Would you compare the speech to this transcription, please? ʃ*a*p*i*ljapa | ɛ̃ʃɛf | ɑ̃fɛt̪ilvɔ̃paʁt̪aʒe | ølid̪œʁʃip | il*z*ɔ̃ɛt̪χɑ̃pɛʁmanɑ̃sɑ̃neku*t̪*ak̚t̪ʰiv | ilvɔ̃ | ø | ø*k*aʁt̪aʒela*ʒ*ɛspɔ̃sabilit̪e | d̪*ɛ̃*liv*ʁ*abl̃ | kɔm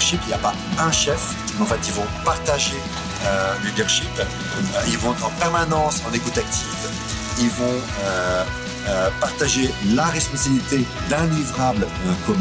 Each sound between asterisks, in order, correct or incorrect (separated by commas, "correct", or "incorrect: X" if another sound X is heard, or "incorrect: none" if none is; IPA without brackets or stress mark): incorrect: i, correct, incorrect: v, correct, incorrect: p, incorrect: ʁ, correct, correct